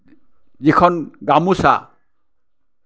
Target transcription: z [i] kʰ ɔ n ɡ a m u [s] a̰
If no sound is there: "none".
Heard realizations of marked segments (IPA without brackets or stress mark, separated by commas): i, s